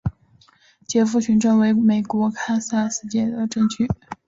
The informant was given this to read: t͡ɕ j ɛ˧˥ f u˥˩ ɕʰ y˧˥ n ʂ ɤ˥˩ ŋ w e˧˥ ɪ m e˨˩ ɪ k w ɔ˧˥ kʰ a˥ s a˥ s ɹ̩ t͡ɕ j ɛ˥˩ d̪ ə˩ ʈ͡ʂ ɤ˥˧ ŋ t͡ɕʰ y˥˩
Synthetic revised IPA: t͡ɕ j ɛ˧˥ f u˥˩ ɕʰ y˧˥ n ʈ͡ʂ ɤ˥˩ ŋ w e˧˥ ɪ m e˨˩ ɪ k w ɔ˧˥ kʰ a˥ s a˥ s ɹ̩ t͡ɕ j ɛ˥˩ d̪ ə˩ ʈ͡ʂ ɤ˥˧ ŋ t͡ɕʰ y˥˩